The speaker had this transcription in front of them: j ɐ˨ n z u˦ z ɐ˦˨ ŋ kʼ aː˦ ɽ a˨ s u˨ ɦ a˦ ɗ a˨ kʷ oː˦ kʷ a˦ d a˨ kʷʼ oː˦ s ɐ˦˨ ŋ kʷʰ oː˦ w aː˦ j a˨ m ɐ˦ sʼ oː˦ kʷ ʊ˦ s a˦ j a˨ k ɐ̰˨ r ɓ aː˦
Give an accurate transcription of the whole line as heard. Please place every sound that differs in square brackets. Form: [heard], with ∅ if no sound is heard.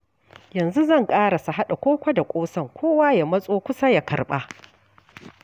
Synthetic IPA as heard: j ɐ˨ n z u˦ z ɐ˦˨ ŋ kʼ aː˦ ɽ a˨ s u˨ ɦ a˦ ɗ a˨ kʷ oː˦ kʷ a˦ d a˨ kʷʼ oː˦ s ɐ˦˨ ŋ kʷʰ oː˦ w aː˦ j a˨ m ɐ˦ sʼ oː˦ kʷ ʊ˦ s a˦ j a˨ k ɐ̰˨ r ɓ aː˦